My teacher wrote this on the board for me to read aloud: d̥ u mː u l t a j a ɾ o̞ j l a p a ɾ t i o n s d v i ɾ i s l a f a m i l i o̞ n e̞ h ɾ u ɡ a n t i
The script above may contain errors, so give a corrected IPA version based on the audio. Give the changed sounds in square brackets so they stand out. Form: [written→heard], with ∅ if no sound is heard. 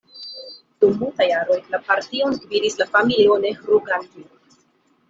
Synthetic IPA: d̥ u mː u l t a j a ɾ o̞ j l a p a ɾ t i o n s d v i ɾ i s l a f a m i l i o̞ n e̞ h ɾ u ɡ a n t i